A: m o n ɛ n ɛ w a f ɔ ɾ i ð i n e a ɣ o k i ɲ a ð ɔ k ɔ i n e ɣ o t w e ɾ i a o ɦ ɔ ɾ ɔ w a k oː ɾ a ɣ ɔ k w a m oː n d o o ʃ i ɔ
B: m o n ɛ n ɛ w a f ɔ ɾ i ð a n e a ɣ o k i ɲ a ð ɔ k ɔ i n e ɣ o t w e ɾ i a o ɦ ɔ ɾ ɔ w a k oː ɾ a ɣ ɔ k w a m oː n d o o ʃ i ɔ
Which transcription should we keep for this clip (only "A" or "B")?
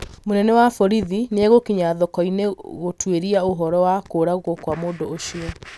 A